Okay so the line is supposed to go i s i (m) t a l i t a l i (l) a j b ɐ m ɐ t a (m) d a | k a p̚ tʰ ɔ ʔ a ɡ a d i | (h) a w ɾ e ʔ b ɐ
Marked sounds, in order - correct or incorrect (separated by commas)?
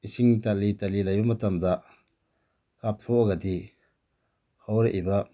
incorrect, correct, correct, correct